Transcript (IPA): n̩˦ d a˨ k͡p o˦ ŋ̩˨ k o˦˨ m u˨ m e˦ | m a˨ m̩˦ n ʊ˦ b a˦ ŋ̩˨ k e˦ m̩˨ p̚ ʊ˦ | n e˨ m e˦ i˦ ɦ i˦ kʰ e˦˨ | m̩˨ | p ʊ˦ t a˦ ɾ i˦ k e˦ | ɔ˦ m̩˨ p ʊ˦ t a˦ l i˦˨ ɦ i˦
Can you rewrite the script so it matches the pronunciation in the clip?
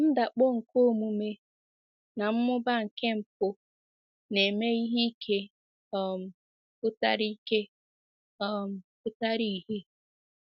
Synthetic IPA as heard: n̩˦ d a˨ k͡p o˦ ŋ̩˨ k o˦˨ m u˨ m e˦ | n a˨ m̩˦ m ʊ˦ b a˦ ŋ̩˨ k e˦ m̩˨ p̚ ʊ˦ | n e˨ m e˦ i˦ ɦ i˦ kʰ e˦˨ | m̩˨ | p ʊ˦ t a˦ ɾ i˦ k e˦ | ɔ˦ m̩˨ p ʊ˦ t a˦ ɾ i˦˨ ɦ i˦